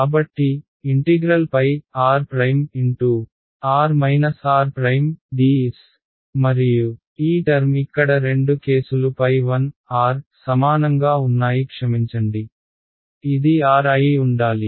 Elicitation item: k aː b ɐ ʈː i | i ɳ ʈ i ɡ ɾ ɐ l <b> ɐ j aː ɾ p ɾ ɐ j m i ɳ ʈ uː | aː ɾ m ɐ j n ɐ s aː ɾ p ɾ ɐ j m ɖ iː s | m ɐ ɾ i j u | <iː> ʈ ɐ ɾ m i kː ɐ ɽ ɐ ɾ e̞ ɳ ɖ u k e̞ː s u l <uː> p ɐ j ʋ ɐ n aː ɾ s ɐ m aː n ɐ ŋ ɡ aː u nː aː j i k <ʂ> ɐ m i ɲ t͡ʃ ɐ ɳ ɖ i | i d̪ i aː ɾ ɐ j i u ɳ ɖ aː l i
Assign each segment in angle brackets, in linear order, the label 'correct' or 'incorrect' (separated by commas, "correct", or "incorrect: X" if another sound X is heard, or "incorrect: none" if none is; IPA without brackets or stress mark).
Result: incorrect: p, correct, incorrect: u, correct